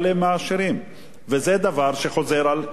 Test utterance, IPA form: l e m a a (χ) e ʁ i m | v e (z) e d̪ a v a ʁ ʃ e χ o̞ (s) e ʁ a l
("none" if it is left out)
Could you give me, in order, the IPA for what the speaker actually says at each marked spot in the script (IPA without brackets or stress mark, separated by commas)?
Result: ʃ, z, z